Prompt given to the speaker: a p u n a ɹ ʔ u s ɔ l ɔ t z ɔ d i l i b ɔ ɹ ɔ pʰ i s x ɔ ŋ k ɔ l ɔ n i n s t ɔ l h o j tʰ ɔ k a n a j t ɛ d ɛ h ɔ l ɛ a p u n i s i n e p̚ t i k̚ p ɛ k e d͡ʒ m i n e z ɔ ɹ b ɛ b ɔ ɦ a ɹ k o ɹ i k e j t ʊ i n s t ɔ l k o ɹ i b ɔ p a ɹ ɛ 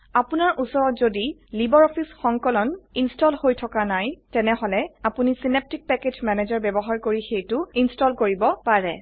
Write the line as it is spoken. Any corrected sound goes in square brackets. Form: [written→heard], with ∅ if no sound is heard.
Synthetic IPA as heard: a p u n a ɹ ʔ u s ɔ [l→ɹ] ɔ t z [ɔ→o] d i l i b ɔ ɹ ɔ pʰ i s x ɔ ŋ k ɔ l ɔ n i n s t ɔ l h o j tʰ ɔ k a n a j t ɛ [d→n] ɛ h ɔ l ɛ a p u n i s i n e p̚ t i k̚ p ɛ k e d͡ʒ m [i→ɛ] n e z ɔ ɹ b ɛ b ɔ ɦ a ɹ k o ɹ i [k→x] e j t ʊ i n s t ɔ l k o ɹ i b ɔ p a ɹ ɛ